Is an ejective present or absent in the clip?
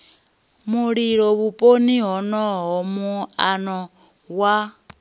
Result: present